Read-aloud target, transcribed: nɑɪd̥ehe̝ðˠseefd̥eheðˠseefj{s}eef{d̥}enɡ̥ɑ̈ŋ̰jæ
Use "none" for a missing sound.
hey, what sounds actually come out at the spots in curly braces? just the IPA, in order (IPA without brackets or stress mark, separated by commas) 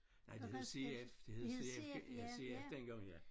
s, d̥